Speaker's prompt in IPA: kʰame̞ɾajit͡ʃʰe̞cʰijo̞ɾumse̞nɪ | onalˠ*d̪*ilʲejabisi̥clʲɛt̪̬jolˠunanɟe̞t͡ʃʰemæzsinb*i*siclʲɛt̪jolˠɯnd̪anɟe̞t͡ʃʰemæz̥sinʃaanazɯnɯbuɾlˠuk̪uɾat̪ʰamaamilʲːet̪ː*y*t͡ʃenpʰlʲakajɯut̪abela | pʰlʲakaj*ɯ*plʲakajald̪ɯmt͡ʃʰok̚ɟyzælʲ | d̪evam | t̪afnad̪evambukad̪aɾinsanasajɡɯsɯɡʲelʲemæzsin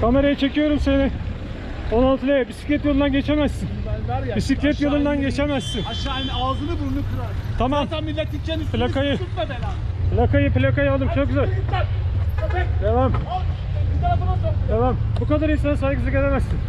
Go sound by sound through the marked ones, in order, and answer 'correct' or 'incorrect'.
incorrect: t̪, correct, incorrect: i, correct

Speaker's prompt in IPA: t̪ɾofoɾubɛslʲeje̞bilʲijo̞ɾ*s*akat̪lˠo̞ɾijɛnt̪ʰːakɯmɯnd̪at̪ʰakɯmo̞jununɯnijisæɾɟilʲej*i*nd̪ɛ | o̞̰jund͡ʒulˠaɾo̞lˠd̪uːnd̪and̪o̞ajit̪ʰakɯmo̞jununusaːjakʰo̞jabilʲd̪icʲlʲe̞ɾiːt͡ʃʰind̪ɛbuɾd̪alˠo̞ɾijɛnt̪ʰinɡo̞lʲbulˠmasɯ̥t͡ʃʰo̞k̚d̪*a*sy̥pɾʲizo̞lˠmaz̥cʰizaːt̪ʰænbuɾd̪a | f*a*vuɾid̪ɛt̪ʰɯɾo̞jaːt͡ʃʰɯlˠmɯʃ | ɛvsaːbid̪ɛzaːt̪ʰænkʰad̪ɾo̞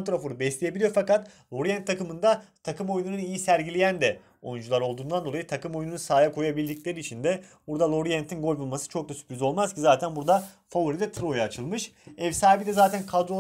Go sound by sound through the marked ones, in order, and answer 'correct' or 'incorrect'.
incorrect: f, incorrect: æ, correct, correct

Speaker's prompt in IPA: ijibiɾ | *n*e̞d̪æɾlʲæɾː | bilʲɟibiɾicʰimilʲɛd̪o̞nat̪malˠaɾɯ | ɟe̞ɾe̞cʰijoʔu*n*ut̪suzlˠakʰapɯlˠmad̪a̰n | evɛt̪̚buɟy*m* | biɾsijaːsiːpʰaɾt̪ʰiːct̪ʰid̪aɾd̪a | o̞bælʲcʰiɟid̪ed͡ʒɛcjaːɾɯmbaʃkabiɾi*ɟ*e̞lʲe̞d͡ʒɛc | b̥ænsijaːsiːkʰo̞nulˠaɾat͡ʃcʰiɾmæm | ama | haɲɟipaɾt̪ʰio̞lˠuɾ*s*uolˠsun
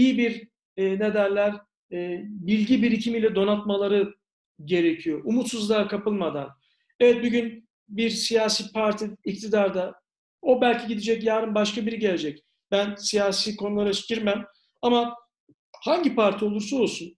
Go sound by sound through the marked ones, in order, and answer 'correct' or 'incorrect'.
correct, incorrect: m, incorrect: n, correct, correct

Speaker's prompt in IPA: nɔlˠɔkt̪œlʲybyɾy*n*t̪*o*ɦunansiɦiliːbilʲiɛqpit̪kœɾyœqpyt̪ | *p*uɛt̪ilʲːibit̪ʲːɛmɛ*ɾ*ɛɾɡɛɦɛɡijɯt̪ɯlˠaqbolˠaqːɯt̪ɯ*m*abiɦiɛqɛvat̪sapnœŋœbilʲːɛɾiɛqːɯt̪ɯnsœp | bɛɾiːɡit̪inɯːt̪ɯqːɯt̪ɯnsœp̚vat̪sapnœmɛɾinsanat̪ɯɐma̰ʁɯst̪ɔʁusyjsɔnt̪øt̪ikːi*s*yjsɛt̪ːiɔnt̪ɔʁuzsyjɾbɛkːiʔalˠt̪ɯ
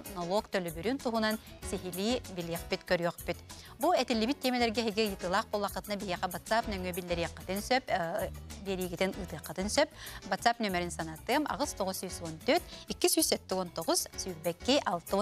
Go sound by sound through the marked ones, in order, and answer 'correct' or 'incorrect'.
correct, incorrect: u, incorrect: b, incorrect: l, incorrect: n, correct

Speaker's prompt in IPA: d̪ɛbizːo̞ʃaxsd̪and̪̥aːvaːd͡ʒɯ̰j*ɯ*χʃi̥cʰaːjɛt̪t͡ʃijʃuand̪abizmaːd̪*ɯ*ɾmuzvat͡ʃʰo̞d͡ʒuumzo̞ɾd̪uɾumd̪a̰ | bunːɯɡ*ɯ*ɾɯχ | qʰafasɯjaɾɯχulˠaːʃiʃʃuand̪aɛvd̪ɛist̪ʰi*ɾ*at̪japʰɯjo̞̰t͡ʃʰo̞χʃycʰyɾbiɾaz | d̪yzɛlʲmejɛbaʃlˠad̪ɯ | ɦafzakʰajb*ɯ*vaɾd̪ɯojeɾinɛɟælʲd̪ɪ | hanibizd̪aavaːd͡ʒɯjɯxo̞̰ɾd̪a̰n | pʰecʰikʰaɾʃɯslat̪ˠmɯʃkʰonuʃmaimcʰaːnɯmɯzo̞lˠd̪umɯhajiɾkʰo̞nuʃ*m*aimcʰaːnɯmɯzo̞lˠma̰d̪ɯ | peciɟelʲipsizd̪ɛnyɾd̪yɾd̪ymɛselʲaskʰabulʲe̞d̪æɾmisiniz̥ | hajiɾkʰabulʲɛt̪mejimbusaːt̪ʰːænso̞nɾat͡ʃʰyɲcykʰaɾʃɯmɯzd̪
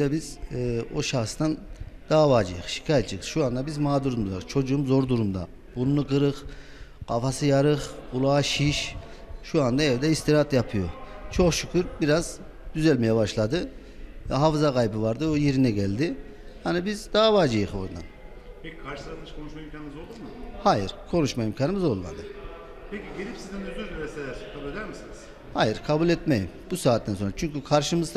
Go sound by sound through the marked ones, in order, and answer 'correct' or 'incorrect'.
correct, incorrect: u, correct, correct, correct, correct

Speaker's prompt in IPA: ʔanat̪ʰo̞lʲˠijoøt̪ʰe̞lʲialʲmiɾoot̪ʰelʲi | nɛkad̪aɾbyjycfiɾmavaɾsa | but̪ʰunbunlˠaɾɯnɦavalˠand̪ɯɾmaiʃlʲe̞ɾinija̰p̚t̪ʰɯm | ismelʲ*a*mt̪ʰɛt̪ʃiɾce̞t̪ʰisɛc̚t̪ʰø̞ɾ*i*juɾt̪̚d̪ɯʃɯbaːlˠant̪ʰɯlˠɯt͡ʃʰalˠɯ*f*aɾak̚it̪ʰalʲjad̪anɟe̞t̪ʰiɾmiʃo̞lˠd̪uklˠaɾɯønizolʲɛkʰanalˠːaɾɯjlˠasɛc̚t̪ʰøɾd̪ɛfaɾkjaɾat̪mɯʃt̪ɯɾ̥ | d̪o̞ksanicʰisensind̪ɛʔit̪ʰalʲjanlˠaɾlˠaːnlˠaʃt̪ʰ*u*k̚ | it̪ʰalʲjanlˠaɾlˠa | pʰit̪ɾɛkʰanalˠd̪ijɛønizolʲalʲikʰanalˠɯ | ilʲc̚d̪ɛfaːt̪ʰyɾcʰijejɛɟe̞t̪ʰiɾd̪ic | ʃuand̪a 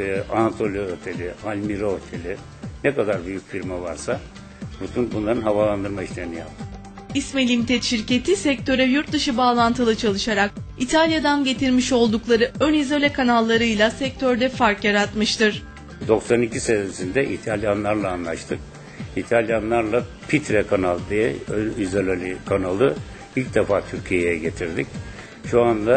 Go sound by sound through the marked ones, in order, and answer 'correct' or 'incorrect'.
incorrect: i, incorrect: ɛ, incorrect: ʃ, incorrect: ɯ

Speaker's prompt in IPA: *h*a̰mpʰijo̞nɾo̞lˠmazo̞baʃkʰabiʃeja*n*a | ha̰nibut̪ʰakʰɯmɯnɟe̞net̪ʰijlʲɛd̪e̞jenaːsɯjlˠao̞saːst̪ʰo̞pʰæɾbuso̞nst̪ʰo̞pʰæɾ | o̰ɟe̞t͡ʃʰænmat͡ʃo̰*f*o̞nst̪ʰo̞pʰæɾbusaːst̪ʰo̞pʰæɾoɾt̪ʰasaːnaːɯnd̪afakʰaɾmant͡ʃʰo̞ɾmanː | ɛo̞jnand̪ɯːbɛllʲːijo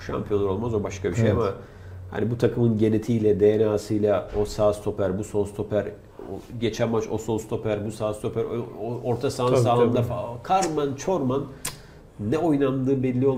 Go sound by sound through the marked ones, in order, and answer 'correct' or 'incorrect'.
incorrect: ʃ, incorrect: m, incorrect: s

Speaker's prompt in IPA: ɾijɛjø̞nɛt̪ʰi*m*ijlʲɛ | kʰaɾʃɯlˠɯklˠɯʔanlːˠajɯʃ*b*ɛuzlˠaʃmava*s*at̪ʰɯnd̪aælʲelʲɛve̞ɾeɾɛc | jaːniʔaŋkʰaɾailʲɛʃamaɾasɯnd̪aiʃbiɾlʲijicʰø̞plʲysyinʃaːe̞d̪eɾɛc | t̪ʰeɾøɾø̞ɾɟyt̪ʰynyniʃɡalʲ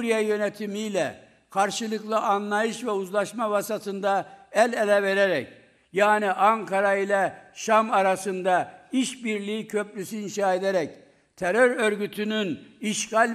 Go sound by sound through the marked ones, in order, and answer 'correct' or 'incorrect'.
correct, incorrect: v, correct

